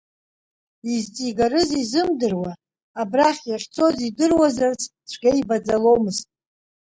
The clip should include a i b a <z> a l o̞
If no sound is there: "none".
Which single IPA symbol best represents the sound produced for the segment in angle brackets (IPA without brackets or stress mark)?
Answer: d͡z